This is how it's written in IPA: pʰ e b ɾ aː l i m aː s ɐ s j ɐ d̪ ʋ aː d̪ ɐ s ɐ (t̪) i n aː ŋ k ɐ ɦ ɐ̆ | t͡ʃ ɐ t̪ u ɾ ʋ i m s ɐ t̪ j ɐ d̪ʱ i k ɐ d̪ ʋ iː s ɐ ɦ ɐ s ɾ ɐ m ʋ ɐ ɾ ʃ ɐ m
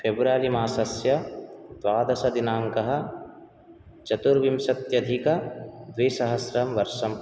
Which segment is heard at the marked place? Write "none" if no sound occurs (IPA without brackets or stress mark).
d̪